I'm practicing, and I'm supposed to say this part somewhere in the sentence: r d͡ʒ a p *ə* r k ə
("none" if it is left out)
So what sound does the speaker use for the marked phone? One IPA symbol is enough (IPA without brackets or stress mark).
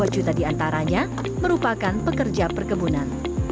ə